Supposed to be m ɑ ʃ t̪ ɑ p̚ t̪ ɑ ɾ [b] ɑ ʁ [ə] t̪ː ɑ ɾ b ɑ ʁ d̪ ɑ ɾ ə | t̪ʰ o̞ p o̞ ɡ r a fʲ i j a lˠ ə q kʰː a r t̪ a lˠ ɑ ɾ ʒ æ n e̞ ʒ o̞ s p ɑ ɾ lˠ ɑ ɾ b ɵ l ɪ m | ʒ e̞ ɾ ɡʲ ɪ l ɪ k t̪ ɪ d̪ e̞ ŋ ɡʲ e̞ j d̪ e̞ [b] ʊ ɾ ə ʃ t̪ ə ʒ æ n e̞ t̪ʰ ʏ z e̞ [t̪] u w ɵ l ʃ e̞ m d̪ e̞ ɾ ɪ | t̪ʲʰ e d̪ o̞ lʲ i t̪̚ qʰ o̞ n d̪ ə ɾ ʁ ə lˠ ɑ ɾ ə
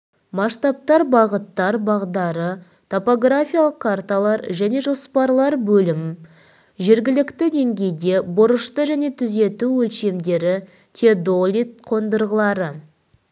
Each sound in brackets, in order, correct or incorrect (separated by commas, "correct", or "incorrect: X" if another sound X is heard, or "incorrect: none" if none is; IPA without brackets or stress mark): correct, correct, correct, correct